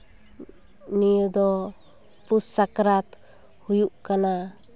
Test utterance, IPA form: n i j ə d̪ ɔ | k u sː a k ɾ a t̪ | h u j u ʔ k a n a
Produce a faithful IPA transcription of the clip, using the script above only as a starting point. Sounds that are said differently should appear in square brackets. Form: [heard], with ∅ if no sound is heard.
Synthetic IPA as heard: n i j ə d̪ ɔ | [p] u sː a k ɾ a t̪ | h u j u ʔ k a n a